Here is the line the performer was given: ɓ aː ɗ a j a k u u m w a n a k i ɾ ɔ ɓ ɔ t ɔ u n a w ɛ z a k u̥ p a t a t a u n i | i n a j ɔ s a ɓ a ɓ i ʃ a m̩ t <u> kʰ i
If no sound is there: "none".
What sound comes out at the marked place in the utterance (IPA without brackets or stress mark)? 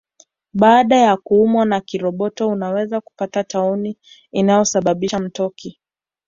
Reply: ɔ